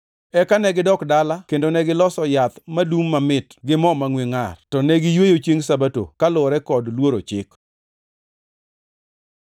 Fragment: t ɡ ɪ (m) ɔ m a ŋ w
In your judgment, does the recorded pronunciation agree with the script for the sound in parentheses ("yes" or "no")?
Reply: yes